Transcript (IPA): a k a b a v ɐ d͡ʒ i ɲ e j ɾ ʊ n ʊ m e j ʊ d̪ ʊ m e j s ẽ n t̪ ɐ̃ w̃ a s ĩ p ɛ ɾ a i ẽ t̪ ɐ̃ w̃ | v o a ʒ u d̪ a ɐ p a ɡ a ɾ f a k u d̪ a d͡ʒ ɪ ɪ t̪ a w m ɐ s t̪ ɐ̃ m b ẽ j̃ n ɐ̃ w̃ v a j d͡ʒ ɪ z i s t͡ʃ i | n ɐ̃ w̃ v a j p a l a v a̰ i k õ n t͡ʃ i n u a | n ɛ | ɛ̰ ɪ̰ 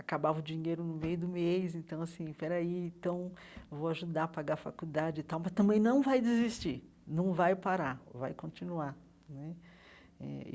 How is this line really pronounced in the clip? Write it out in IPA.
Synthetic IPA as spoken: a k a b a v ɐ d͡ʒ i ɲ e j ɾ ʊ n ʊ m e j ʊ d̪ ʊ m e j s ẽ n t̪ ɐ̃ w̃ a s ĩ p ɛ ɾ a i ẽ t̪ ɐ̃ w̃ | v o a ʒ u d̪ a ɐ p a ɡ a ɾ f a k u d̪ a d͡ʒ ɪ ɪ t̪ a w m ɐ s t̪ ɐ̃ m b ẽ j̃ n ɐ̃ w̃ v a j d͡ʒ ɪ z i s t͡ʃ i | n ɐ̃ w̃ v a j p a ɾ a v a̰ j k õ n t͡ʃ i n u a | n ɛ | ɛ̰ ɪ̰